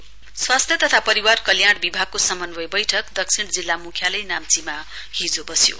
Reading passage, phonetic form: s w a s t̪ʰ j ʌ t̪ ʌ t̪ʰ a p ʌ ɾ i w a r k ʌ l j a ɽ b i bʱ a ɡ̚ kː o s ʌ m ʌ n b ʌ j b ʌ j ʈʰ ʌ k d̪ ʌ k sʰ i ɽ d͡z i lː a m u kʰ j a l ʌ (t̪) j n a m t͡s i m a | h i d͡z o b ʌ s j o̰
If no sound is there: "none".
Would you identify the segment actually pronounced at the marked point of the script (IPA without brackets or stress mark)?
none